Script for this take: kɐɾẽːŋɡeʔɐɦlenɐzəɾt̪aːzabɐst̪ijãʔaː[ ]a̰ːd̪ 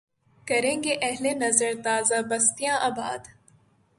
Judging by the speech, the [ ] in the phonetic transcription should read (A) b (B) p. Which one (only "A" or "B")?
A